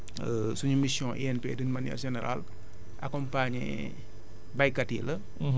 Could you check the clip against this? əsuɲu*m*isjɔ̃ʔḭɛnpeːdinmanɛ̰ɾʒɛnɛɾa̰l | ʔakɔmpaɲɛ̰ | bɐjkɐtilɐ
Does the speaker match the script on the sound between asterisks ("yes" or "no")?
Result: yes